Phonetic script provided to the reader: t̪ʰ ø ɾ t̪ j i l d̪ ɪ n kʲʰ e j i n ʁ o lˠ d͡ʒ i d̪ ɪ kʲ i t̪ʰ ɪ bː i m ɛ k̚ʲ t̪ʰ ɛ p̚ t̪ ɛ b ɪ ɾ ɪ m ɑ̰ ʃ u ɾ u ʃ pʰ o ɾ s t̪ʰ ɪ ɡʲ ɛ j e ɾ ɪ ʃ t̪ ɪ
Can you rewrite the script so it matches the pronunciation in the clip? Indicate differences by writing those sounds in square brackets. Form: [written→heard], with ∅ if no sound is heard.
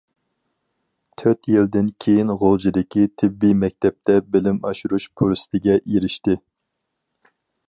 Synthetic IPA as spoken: t̪ʰ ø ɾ t̪ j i l d̪ ɪ n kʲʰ e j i n ʁ o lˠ d͡ʒ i d̪ ɪ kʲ i t̪ʰ ɪ bː i m ɛ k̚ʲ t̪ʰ ɛ p̚ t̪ ɛ b ɪ [ɾ→l] ɪ m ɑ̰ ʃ u ɾ u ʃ pʰ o ɾ s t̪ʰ ɪ ɡʲ ɛ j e ɾ ɪ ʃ t̪ ɪ